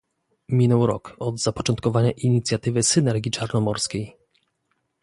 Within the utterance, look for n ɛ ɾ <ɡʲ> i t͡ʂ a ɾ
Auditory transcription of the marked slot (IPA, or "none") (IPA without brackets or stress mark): ɡʲ